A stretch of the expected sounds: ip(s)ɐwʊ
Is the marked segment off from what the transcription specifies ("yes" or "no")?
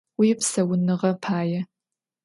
no